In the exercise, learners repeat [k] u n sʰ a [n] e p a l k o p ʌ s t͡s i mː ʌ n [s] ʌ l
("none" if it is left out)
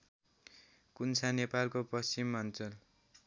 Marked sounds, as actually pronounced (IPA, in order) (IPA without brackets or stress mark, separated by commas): k, n, t͡s